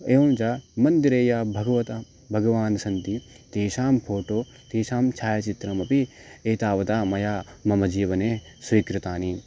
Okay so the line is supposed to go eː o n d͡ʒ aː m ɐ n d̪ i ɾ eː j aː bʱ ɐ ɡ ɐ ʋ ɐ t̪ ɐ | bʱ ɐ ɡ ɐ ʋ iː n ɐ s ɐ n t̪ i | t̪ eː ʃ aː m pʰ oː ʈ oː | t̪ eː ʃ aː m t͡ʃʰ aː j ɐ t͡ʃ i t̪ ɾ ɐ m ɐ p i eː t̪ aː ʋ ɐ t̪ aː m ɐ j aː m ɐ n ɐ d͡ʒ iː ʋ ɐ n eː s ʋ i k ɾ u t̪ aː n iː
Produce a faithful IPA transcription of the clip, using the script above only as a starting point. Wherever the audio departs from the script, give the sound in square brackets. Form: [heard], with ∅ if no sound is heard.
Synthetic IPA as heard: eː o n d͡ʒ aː m ɐ n d̪ i ɾ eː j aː bʱ ɐ ɡ ɐ ʋ ɐ t̪ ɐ | bʱ ɐ ɡ ɐ ʋ [aː] n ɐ s ɐ n t̪ i | t̪ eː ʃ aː m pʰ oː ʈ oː | t̪ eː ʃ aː m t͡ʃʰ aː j ɐ t͡ʃ i t̪ ɾ ɐ m ɐ p i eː t̪ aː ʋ ɐ t̪ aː m ɐ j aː m ɐ [m] ɐ d͡ʒ iː ʋ ɐ n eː s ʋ i k ɾ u t̪ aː n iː